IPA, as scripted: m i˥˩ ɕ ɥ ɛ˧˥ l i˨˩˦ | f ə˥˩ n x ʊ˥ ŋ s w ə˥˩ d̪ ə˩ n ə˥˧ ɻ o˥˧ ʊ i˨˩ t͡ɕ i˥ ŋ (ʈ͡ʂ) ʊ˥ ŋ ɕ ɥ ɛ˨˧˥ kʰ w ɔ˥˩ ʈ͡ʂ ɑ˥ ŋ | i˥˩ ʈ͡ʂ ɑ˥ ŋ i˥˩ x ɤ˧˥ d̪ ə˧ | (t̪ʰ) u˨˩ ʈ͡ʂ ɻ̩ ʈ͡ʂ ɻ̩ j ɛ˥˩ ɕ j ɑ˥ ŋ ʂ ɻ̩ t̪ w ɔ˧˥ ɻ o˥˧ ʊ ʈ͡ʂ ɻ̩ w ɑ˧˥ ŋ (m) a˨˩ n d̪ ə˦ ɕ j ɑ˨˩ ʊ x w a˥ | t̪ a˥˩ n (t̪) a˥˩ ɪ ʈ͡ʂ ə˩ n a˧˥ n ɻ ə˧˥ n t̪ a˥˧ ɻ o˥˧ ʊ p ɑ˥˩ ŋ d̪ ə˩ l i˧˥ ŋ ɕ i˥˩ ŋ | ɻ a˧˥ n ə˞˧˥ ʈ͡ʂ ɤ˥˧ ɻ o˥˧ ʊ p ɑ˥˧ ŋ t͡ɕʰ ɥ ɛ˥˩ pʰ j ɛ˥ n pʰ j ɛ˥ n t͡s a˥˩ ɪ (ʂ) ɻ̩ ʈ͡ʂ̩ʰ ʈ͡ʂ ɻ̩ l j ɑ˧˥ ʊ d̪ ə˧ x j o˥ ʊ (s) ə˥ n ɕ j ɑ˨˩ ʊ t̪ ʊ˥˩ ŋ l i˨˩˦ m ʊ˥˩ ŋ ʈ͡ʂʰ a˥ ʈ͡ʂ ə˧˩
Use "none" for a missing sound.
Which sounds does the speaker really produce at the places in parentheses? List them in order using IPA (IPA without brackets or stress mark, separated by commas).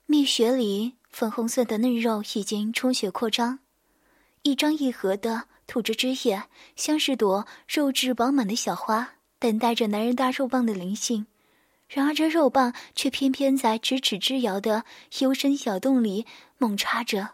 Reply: ʈ͡ʂʰ, t̪ʰ, m, t̪, ʈ͡ʂ, ʂ